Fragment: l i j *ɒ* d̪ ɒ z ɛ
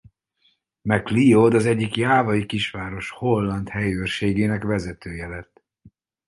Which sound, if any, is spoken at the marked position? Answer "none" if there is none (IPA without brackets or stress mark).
o